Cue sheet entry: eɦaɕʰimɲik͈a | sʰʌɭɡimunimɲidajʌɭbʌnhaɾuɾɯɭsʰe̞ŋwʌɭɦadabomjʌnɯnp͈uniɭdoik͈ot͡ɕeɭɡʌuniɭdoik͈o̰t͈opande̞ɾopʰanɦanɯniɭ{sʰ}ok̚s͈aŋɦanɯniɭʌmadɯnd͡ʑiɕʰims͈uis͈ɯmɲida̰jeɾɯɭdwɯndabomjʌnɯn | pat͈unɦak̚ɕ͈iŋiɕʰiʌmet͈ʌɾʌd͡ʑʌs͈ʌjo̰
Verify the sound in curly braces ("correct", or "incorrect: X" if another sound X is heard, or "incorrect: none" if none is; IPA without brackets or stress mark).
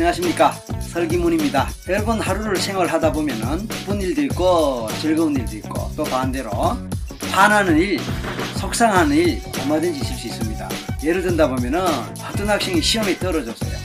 correct